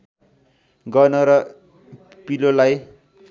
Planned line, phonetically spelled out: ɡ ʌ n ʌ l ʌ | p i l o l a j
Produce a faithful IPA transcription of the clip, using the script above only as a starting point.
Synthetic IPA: ɡ ʌ n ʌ ɾ ʌ | p i l o l a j